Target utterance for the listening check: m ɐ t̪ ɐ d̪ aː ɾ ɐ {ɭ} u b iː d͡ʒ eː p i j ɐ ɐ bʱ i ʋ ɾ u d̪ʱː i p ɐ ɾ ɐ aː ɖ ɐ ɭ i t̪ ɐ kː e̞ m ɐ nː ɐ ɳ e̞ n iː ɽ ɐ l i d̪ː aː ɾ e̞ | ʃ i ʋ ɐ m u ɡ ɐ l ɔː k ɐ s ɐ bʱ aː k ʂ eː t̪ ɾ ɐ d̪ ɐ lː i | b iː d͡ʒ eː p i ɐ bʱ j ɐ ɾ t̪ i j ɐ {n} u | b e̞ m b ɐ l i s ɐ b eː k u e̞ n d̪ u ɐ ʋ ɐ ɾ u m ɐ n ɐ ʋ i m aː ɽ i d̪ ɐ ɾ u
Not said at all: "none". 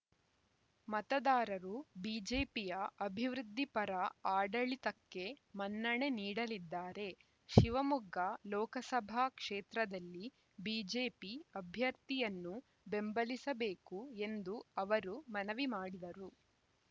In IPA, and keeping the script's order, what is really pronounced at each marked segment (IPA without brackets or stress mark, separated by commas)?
ɾ, nː